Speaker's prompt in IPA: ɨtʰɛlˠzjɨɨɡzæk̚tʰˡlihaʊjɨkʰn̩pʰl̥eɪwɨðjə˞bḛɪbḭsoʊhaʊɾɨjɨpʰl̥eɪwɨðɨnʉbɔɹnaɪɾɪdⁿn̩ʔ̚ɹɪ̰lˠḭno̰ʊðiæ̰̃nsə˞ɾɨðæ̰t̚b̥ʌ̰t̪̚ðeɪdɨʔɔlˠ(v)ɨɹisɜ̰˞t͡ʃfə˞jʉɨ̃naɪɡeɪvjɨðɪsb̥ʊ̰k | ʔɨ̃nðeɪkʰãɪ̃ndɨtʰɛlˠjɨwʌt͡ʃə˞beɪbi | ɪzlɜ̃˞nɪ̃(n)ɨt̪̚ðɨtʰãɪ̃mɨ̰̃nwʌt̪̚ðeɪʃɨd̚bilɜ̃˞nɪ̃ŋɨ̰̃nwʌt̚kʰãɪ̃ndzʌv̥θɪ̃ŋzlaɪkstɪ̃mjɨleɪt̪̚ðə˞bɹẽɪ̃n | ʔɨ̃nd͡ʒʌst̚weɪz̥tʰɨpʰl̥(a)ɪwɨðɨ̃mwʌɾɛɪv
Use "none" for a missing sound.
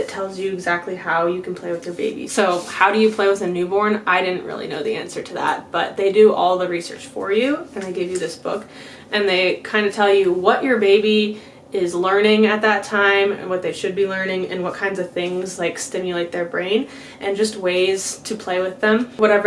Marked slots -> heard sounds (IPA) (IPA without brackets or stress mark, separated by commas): ð, ŋ, e